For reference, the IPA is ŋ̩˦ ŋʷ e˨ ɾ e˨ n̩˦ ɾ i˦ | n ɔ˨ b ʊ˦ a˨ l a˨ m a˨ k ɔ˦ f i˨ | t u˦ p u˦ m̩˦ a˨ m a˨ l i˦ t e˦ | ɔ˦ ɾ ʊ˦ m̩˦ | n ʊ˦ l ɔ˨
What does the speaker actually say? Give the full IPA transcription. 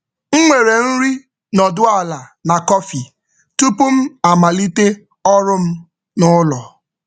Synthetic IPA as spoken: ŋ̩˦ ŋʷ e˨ ɾ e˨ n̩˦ ɾ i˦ | n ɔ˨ d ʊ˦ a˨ l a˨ n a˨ k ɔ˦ f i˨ | t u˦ p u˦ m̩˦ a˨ m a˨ l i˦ t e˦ | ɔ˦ ɾ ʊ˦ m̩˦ | n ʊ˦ l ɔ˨